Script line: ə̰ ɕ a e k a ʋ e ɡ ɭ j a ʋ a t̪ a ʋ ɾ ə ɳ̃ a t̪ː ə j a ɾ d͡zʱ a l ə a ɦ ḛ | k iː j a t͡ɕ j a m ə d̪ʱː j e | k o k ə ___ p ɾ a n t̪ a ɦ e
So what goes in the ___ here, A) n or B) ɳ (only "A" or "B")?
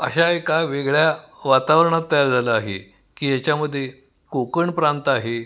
B